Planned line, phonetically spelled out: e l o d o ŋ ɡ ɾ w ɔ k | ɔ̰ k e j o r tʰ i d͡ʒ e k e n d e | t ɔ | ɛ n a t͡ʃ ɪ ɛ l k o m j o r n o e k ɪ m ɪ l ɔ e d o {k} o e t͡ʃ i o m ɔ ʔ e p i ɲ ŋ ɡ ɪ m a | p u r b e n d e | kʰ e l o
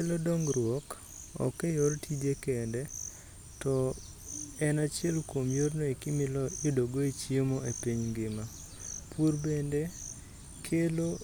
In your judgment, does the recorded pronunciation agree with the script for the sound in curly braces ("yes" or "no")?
no